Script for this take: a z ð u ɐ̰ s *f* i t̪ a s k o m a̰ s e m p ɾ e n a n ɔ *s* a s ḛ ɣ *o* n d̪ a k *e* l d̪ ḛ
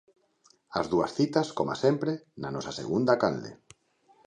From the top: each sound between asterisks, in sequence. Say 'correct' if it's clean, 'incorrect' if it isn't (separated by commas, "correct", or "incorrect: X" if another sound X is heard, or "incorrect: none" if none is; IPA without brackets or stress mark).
incorrect: θ, correct, incorrect: u, incorrect: a